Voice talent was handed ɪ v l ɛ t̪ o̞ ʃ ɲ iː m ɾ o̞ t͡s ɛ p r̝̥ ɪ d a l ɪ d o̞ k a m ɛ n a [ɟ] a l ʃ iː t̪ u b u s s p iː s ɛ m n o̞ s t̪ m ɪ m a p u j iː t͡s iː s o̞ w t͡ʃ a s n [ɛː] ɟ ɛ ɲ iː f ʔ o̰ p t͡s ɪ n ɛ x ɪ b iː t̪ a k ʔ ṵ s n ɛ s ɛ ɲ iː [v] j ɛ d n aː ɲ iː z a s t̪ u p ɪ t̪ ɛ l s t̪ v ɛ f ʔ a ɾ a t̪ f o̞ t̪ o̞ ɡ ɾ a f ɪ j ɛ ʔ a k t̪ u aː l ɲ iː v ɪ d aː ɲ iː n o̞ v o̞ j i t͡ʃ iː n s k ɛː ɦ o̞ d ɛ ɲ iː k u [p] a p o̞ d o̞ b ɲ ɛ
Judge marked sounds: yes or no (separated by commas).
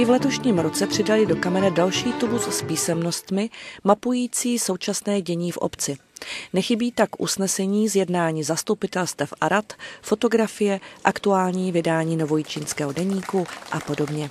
no, yes, no, no